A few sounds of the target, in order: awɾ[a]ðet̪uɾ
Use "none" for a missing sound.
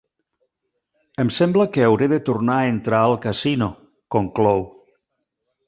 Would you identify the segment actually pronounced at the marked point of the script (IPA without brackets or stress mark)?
e